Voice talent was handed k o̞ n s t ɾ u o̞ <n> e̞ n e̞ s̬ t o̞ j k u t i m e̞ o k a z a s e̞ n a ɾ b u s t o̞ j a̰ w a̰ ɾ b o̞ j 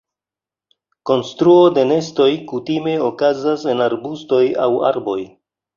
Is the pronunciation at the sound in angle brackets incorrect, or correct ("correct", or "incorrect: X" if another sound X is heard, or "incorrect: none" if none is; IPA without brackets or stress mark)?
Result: incorrect: d